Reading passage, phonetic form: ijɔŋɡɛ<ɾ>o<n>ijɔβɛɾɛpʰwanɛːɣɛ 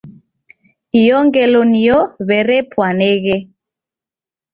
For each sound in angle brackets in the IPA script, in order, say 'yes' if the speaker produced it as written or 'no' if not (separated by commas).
no, yes